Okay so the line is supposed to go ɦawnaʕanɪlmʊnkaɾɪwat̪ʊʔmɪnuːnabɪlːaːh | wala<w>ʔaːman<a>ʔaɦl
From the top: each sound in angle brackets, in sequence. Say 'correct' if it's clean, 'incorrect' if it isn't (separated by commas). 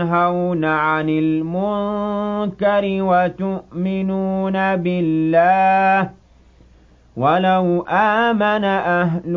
correct, correct